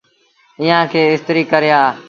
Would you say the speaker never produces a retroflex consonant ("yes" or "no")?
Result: yes